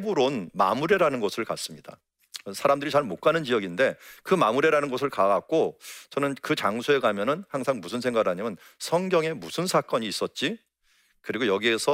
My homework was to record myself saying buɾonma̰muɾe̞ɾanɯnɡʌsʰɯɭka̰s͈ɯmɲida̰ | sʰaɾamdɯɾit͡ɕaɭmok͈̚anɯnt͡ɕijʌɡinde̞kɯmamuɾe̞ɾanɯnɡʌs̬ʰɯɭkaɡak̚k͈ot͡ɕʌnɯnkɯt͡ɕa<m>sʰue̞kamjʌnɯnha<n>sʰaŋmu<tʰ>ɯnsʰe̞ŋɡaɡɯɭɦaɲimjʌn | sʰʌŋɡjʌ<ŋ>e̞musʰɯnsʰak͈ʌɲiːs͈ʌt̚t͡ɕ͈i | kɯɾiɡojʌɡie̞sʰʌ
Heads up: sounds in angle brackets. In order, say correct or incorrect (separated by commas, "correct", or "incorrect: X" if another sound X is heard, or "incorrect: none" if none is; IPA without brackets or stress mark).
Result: incorrect: ŋ, incorrect: ŋ, incorrect: sʰ, correct